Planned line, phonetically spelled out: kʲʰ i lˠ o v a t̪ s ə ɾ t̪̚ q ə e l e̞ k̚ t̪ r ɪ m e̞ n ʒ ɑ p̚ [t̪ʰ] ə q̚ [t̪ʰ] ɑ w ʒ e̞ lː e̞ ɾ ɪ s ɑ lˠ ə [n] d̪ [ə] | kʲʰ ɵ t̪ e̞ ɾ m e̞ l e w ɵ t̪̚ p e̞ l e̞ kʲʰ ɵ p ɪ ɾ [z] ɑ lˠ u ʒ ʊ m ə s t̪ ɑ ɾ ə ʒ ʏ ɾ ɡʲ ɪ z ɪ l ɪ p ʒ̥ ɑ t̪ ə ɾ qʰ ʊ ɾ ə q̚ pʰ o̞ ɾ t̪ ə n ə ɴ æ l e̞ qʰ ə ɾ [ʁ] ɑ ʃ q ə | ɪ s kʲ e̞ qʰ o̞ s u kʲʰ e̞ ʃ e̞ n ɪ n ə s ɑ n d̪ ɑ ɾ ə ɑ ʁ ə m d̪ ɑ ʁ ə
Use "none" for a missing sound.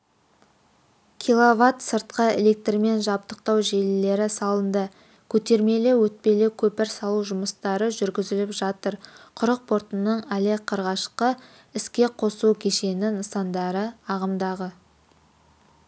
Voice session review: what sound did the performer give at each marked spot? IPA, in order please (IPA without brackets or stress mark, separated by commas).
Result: t̪, t̪, n, ə, s, ʁ